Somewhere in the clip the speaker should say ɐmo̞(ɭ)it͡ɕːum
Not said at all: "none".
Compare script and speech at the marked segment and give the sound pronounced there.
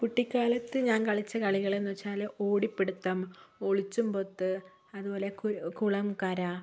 ɭ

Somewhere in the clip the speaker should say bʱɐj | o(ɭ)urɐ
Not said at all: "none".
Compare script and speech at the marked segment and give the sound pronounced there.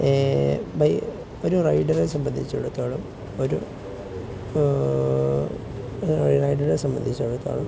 ɾ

